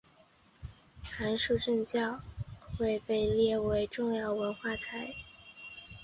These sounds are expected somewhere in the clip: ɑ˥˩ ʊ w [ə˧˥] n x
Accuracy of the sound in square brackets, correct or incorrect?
correct